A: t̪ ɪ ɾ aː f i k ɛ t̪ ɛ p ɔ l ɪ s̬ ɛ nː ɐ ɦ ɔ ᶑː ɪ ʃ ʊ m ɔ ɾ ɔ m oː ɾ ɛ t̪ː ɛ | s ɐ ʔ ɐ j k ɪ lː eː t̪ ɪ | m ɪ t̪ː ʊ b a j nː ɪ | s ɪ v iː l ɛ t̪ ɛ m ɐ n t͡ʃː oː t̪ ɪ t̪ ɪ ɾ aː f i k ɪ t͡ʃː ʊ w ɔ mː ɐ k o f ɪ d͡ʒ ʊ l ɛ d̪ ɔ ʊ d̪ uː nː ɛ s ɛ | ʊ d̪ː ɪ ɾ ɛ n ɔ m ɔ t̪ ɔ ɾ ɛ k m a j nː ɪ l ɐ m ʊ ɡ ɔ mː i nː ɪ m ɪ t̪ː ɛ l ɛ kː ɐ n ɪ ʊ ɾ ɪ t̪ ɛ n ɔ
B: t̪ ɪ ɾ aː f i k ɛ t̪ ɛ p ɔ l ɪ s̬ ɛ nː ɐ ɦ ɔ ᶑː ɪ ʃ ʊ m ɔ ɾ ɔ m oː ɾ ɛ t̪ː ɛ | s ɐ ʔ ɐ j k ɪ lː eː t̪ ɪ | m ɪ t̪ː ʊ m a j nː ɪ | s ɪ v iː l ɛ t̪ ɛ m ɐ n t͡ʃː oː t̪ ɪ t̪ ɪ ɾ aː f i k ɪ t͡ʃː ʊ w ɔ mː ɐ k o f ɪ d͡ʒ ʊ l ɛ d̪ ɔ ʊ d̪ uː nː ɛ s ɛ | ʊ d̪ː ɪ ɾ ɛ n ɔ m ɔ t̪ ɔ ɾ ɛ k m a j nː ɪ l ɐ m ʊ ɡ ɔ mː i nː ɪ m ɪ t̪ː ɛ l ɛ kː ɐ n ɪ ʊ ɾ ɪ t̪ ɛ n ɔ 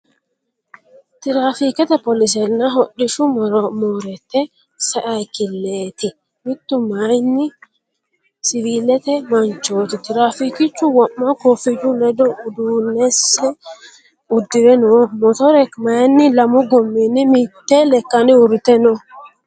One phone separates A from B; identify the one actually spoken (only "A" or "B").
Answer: B